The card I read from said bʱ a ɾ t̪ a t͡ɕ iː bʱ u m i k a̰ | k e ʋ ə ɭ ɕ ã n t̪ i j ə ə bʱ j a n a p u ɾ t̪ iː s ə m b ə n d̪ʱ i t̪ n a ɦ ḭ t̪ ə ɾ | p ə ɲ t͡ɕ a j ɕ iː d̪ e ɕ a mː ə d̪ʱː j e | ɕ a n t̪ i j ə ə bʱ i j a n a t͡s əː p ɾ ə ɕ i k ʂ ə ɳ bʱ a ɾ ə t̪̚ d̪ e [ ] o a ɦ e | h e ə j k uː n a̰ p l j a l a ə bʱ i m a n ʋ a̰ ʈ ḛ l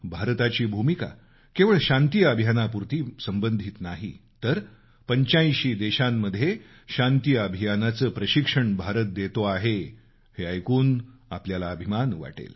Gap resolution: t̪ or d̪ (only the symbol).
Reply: t̪